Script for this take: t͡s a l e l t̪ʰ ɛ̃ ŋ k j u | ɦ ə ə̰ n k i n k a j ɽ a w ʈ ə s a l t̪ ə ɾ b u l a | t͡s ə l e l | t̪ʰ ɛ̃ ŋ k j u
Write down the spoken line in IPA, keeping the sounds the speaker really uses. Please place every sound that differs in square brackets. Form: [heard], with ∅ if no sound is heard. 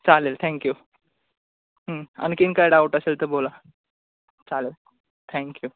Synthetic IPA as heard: t͡s a l e l t̪ʰ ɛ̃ ŋ k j u | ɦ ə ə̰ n k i n k a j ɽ a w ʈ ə s [e] l t̪ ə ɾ b [o] l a | t͡s [a] l e l | t̪ʰ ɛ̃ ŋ k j u